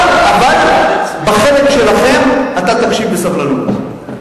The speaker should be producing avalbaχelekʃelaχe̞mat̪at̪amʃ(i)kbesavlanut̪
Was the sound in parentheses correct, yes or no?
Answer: yes